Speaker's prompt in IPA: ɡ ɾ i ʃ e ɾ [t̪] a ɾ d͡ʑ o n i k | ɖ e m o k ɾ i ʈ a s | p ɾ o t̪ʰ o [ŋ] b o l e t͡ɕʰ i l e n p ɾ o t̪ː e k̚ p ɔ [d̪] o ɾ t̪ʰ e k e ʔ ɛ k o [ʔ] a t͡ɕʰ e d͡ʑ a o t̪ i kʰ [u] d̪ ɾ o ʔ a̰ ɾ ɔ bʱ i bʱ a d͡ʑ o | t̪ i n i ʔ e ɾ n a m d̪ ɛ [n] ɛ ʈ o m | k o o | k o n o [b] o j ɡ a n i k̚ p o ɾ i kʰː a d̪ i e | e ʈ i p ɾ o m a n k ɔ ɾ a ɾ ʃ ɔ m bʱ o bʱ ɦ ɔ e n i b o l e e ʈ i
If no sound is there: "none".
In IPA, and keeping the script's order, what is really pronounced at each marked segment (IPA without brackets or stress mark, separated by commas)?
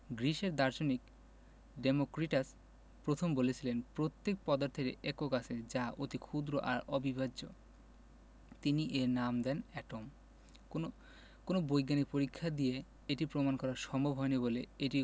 d̪, m, d̪, k, u, n, b